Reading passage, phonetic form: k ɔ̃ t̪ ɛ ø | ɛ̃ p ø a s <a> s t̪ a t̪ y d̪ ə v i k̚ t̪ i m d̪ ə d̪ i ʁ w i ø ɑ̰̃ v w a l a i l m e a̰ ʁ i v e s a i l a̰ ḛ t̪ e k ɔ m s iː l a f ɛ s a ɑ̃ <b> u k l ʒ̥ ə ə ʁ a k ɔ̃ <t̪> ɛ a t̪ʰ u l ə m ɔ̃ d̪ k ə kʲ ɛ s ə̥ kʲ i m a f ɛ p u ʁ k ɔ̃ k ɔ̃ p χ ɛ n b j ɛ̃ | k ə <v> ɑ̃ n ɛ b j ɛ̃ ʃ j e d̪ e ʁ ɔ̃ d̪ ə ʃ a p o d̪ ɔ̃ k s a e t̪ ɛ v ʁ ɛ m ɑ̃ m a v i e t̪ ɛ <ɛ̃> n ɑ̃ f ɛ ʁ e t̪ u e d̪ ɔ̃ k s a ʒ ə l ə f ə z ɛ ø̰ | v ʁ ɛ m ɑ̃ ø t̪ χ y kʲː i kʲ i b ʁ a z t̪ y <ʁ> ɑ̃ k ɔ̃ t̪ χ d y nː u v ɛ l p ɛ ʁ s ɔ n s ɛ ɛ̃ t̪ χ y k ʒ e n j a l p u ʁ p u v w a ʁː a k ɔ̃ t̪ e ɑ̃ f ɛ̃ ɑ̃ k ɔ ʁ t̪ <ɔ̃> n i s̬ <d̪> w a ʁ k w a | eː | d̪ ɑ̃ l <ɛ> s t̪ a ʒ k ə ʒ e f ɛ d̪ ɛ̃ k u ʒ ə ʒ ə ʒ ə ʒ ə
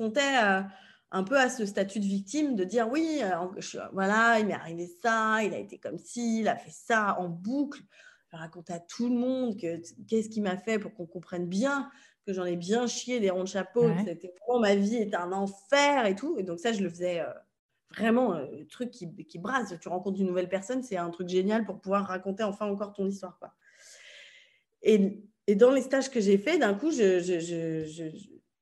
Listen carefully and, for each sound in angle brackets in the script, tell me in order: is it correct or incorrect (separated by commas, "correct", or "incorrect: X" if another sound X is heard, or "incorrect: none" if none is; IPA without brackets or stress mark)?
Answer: incorrect: ə, correct, correct, incorrect: ʒ, correct, correct, correct, incorrect: t̪, incorrect: e